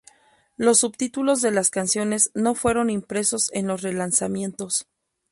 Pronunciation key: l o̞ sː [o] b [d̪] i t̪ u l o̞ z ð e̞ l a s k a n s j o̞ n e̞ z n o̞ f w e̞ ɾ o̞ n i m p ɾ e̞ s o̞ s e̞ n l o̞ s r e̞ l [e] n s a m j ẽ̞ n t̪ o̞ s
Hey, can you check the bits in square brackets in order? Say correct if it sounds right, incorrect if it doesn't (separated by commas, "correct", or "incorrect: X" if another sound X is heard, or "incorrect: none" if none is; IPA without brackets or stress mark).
incorrect: u, incorrect: t̪, incorrect: a